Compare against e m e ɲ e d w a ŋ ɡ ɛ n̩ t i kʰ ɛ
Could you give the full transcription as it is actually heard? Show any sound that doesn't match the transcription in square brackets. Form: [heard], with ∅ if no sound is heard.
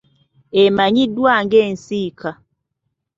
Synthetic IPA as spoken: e m [a] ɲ [i] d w a ŋ ɡ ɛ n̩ [s] i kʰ [a]